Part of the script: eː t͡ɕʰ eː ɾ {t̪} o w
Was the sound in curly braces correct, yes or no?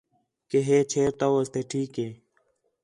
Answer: yes